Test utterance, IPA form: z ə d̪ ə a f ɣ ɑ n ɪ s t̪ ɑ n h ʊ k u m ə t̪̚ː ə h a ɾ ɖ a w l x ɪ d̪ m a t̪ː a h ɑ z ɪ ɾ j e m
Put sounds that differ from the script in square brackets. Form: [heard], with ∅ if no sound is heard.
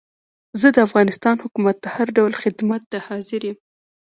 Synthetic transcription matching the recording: z ə d̪ ə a f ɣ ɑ n ɪ s t̪ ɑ n h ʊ k u m [a] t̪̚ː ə h a ɾ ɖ a w l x ɪ d̪ m a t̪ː a h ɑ z ɪ ɾ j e m